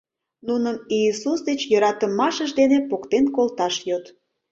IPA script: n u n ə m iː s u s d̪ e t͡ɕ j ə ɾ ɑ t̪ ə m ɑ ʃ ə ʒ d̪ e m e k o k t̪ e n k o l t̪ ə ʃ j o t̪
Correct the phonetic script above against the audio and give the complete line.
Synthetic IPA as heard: n u n ə m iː s u s d̪ e t͡ɕ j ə ɾ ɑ t̪ ə m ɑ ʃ ə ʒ d̪ e n e p o k t̪ e n k o l t̪ ɑ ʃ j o t̪